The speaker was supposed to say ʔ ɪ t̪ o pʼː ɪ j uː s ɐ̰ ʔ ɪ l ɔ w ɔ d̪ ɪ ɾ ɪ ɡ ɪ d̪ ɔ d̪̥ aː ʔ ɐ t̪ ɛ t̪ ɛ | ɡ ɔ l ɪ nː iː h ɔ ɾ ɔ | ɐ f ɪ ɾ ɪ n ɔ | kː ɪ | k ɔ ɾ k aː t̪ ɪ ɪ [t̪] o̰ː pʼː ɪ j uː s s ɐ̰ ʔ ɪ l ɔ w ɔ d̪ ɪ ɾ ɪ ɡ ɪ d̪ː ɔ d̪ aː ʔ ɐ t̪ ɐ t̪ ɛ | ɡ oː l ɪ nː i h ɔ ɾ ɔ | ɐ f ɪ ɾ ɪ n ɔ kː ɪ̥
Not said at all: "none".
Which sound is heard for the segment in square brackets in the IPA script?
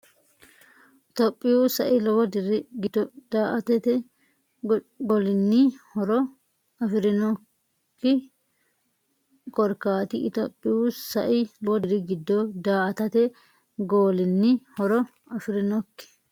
t̪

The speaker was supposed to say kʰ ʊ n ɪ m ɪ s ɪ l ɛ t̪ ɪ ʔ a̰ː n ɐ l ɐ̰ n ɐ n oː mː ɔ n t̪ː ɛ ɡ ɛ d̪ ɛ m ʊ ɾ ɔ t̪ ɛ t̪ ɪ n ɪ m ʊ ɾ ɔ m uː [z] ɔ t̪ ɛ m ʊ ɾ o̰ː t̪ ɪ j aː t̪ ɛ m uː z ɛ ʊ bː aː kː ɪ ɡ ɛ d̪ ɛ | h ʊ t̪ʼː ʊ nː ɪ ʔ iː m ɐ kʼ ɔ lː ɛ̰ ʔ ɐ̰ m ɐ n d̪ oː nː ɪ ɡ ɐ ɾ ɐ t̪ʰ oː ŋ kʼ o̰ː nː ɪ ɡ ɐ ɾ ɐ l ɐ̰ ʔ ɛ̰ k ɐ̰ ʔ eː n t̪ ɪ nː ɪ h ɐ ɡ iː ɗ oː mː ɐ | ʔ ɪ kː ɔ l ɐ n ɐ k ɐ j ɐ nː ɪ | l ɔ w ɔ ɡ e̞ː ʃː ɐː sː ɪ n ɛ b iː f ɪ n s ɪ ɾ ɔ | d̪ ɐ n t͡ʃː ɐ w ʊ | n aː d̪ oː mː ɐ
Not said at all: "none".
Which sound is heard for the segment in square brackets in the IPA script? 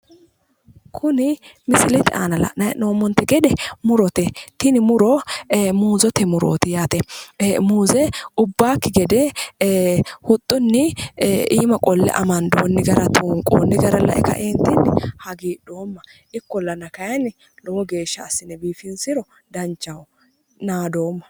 z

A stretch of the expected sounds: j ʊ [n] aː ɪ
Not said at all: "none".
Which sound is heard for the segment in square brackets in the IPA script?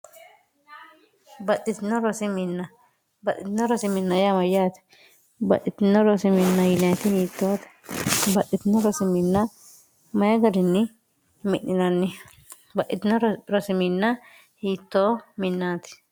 n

